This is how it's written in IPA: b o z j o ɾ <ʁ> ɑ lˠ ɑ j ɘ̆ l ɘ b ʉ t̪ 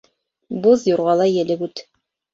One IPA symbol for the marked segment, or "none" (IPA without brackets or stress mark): ʁ